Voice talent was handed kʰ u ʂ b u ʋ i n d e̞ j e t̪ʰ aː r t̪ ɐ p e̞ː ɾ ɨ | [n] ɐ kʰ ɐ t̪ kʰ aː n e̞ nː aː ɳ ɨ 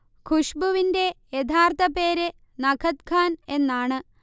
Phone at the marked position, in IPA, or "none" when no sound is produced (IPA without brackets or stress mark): n